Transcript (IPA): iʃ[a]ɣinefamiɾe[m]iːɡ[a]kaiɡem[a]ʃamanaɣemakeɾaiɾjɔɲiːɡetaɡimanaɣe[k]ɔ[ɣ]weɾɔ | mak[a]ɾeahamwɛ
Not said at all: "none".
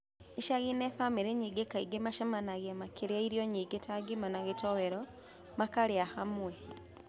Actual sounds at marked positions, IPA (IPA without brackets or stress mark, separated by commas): a, ɲ, e, a, t, none, a